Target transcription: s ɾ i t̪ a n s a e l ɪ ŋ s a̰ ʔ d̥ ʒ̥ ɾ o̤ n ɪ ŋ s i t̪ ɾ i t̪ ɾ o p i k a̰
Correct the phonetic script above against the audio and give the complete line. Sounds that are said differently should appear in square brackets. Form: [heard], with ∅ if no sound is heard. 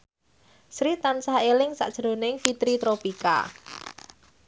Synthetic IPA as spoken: s ɾ i t̪ a n s a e l ɪ ŋ s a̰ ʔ d̥ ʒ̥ ɾ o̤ n ɪ ŋ [f] i t̪ ɾ i t̪ ɾ o p i k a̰